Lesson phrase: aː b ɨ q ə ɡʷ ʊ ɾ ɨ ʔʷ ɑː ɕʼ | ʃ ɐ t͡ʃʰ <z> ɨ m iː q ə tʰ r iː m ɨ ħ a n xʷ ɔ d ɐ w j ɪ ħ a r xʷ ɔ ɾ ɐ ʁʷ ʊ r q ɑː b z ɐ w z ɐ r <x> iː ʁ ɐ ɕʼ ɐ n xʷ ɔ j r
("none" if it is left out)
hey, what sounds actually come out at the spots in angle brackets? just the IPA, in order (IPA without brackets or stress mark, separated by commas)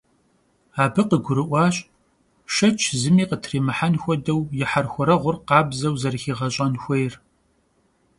z, x